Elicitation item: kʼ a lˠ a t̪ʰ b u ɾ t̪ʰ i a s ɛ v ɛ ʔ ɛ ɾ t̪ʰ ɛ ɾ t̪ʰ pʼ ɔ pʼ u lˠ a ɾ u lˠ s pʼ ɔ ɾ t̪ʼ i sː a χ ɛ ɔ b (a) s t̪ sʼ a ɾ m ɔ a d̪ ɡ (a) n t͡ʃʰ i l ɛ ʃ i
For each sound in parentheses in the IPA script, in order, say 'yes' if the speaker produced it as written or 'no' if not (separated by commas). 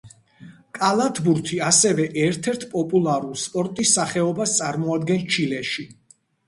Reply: yes, no